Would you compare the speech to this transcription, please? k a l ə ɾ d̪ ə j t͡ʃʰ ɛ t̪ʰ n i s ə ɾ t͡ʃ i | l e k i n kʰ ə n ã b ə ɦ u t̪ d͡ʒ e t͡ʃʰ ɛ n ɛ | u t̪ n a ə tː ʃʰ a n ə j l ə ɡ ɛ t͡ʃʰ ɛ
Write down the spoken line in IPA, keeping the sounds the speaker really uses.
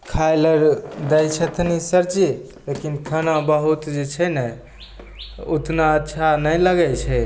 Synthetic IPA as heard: kʰ a l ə ɾ d̪ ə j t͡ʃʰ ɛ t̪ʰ n i s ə ɾ t͡ʃ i | l e k i n kʰ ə n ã b ə ɦ u t̪ d͡ʒ e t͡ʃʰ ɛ n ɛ | u t̪ n a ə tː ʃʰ a n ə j l ə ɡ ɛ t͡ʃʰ ɛ